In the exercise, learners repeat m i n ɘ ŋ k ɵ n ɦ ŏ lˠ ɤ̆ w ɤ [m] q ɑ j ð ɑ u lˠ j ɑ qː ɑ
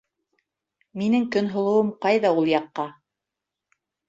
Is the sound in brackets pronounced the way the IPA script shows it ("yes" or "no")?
yes